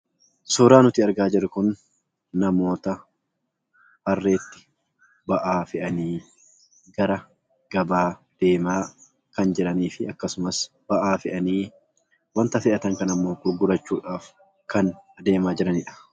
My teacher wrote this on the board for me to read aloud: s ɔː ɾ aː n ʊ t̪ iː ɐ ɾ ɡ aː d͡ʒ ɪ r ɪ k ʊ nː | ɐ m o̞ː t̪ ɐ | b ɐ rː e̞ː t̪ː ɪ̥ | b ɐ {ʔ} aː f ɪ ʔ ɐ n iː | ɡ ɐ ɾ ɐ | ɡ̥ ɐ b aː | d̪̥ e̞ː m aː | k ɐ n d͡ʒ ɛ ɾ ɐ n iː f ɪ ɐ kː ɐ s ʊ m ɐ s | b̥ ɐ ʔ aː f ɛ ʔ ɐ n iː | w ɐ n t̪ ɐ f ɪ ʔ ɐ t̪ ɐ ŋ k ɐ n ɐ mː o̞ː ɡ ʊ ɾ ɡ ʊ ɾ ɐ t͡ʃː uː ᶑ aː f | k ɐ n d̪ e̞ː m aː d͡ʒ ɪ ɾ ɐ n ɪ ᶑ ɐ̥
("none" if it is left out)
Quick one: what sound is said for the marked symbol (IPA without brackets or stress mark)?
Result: ʔ